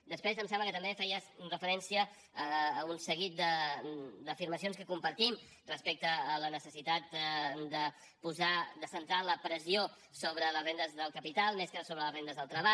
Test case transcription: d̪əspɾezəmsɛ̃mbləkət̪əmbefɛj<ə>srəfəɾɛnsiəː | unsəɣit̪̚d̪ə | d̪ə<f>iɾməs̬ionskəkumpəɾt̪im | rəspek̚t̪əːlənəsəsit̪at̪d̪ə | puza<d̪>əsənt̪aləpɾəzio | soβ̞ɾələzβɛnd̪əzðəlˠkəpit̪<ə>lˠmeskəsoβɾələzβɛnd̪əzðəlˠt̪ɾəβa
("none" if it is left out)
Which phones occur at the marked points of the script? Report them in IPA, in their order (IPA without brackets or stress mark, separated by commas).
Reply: ə, f, d̪, a